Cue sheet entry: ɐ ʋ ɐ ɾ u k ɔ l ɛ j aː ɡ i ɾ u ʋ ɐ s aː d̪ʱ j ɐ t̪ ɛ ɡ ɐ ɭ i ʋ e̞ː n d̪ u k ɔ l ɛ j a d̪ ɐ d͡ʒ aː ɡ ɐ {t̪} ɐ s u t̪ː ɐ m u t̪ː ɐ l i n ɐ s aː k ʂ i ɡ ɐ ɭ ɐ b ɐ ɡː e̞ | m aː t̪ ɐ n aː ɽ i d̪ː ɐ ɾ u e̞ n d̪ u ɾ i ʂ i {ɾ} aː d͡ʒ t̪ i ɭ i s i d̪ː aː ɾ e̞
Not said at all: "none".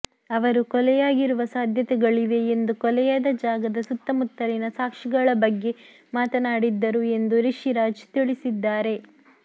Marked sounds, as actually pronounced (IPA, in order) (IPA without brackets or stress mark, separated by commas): d̪, ɾ